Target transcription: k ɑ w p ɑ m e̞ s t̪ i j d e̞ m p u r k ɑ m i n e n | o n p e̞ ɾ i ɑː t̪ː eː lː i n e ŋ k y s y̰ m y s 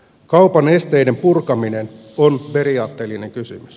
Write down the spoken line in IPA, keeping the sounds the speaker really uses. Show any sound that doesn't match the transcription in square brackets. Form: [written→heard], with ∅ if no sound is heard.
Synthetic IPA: k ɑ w p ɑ [m→n] e̞ s t̪ [i→e] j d e̞ m p u r k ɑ m i n e n | o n p e̞ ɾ i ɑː t̪ː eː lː i n e ŋ k y s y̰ m y s